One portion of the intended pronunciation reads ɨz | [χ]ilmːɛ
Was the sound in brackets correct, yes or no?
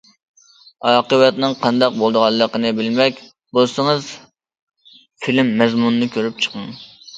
no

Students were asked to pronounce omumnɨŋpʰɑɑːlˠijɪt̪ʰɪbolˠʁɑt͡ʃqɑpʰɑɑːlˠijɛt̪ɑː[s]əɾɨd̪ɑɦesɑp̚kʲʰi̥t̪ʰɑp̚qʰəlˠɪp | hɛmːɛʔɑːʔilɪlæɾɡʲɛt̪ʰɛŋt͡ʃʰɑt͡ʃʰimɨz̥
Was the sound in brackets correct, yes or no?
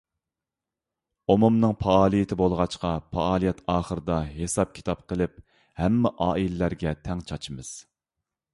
no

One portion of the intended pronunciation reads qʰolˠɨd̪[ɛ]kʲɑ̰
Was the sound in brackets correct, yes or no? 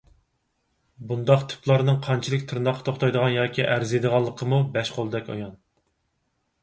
yes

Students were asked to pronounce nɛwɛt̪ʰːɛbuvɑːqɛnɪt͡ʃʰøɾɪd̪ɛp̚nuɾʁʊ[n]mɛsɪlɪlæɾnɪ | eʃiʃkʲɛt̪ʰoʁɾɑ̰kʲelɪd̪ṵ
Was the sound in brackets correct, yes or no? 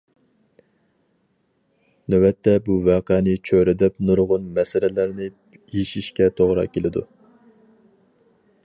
yes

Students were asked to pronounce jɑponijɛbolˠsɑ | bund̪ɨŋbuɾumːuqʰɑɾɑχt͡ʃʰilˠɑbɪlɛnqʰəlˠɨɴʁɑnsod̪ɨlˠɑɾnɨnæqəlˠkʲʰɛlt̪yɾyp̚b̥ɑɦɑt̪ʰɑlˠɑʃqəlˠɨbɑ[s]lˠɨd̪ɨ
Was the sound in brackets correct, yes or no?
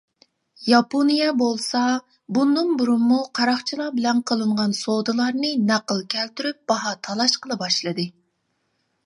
no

